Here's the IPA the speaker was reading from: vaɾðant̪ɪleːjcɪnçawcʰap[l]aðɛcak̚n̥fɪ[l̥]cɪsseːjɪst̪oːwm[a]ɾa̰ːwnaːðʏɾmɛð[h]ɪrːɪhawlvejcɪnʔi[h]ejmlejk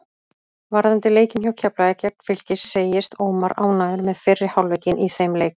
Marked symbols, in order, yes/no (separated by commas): yes, yes, yes, no, no